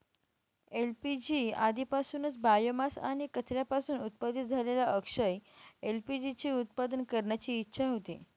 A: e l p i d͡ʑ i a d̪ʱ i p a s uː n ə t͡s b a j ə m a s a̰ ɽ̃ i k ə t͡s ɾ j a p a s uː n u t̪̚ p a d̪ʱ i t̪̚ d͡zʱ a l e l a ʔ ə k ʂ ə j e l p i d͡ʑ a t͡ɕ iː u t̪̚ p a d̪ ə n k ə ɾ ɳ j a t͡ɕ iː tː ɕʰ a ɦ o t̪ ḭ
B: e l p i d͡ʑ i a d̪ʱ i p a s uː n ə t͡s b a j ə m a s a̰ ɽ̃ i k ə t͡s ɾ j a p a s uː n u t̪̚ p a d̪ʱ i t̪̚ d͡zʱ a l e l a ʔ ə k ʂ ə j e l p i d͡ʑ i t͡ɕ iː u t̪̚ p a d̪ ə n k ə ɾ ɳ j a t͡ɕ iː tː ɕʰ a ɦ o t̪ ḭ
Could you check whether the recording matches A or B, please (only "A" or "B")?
B